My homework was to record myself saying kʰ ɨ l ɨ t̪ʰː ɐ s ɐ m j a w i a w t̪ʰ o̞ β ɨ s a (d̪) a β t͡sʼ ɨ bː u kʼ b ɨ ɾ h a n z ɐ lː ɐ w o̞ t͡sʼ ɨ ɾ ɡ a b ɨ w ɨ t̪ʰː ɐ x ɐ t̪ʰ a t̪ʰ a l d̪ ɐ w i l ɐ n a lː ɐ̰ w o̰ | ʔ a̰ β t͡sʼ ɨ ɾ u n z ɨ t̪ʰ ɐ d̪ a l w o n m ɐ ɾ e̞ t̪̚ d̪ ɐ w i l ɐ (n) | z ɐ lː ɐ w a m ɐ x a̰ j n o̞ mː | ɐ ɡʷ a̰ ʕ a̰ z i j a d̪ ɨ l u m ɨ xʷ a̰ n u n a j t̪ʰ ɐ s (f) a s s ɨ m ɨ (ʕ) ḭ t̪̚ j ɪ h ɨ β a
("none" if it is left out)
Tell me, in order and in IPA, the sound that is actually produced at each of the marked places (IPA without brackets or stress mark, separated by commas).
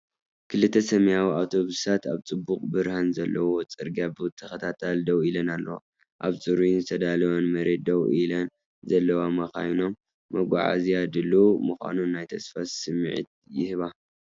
t̪, n, f, ʕ